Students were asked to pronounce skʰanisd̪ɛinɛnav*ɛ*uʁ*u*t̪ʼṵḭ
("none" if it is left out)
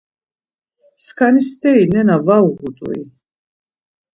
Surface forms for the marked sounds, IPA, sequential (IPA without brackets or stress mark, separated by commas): a, u